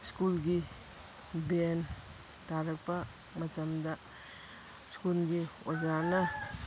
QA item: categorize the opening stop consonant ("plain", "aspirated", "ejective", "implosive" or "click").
plain